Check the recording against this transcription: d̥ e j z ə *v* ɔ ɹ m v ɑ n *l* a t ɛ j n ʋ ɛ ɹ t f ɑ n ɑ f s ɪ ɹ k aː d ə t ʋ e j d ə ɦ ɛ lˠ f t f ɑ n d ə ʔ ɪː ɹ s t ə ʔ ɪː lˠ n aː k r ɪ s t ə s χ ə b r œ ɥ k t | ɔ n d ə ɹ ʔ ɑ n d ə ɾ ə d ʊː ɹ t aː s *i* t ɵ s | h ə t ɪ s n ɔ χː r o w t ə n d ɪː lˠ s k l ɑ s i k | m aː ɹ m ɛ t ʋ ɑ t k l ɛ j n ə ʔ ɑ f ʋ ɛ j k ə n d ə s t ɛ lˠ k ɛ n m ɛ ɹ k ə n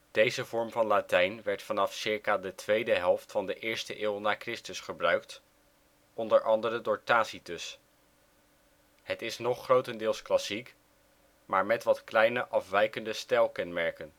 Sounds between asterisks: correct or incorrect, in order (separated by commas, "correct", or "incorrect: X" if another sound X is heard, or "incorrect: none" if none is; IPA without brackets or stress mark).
correct, correct, correct